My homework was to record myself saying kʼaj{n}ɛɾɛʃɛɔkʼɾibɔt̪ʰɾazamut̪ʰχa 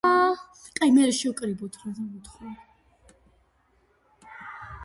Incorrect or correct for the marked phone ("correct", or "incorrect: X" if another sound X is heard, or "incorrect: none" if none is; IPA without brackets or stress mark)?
incorrect: m